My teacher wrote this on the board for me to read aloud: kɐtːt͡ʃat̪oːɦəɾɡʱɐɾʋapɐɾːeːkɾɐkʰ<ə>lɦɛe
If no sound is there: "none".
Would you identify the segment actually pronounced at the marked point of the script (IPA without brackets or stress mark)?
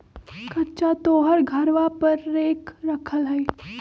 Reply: ə